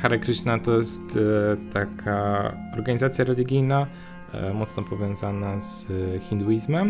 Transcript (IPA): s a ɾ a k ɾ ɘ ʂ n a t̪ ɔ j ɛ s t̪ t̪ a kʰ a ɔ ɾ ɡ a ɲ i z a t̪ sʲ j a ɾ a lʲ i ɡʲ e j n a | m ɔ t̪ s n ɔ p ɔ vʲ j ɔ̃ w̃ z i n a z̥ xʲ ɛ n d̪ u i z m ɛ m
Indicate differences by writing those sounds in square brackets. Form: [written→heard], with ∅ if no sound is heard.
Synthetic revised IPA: [s→x] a ɾ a k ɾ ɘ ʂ n a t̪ ɔ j ɛ s t̪ t̪ a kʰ a ɔ ɾ ɡ a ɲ i z a t̪ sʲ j a ɾ [a→ɛ] lʲ i ɡʲ [e→i] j n a | m ɔ t̪ s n ɔ p ɔ vʲ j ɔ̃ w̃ z [i→a] n a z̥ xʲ [ɛ→i] n d̪ u i z m ɛ m